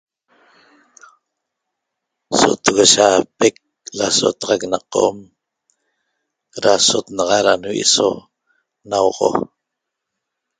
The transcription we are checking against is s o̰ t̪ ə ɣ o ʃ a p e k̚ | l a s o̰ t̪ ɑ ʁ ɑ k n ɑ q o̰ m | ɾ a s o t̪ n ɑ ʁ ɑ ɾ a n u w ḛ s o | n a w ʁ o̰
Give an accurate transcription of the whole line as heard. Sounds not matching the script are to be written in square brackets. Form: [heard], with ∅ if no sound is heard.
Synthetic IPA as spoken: s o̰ t̪ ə ɣ o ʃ a p e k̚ | l a s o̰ t̪ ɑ ʁ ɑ k n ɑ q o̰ m | ɾ a s o t̪ n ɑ ʁ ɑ ɾ a n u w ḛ s o | n a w ʁ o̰